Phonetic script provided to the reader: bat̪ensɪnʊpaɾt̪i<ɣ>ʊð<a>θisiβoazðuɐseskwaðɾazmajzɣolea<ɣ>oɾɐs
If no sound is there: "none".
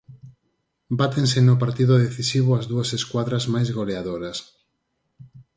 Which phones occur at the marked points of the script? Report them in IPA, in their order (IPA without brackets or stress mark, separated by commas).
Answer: ð, e, ð